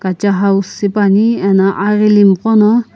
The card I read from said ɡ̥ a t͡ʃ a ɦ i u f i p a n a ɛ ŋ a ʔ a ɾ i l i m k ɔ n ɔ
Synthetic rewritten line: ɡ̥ a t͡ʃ a ɦ a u s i p a n i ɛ n a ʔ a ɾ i l i m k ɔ n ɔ